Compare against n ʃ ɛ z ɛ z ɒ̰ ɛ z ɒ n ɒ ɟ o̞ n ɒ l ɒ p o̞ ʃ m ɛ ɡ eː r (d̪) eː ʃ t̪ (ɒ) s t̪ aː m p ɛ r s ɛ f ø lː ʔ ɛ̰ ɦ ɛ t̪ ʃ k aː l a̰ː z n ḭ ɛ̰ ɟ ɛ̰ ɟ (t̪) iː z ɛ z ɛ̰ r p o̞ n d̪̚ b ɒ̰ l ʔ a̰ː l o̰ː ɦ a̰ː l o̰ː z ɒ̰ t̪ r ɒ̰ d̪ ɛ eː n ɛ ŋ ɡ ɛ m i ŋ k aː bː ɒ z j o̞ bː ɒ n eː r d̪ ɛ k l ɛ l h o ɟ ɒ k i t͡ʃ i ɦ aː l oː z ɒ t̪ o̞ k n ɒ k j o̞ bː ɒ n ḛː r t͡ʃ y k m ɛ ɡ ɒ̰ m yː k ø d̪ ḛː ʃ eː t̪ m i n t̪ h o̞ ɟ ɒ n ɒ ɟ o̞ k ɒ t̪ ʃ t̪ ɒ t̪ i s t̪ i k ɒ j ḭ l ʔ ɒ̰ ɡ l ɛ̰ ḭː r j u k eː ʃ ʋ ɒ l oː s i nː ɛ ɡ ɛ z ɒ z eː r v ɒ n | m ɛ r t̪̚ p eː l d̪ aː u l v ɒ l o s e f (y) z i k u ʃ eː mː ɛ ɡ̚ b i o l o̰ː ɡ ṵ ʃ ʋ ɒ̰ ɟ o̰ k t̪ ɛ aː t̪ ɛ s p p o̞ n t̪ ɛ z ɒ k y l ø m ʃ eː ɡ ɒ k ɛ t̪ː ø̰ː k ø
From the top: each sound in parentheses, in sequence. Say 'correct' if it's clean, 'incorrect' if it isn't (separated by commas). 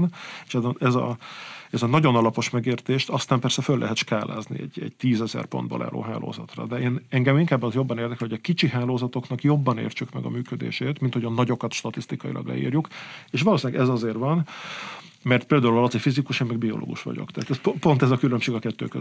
incorrect, correct, correct, incorrect